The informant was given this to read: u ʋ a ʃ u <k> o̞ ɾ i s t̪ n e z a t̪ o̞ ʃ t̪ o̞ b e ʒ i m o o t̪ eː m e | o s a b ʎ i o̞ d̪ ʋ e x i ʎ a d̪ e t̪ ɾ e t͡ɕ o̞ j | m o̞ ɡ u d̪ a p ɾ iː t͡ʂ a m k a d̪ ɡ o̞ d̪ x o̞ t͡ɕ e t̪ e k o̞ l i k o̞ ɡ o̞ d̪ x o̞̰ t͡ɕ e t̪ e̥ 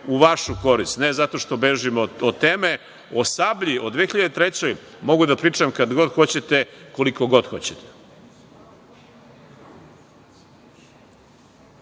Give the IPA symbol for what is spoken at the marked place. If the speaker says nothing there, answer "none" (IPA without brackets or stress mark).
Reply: k